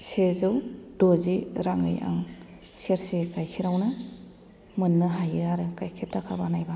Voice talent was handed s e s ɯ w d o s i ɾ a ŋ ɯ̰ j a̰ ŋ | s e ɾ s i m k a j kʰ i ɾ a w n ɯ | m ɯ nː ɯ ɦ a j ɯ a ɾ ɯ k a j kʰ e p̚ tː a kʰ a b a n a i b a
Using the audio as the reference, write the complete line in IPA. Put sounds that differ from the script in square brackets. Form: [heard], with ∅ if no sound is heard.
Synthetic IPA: s e [z] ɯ w d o [z] i ɾ a ŋ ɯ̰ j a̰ ŋ | s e ɾ s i [∅] k a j kʰ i ɾ a w n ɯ | m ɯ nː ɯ ɦ a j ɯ a ɾ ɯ k a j kʰ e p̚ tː a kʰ a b a n a [j] b a